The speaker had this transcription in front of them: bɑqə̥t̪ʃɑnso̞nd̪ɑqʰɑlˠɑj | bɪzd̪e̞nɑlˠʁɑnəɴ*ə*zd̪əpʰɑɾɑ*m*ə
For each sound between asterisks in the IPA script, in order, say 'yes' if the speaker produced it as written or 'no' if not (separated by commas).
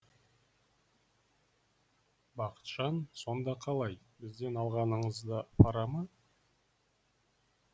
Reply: yes, yes